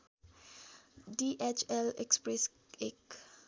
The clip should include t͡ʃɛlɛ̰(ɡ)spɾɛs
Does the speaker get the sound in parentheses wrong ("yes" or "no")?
yes